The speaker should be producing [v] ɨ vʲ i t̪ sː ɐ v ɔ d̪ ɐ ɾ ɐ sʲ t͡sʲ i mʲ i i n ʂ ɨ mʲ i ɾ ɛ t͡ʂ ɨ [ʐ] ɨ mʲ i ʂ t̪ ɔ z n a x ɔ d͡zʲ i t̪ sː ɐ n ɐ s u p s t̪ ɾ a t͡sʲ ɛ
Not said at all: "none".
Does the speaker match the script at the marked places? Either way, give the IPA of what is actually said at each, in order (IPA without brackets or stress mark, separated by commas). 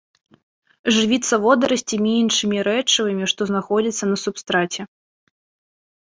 ʐ, v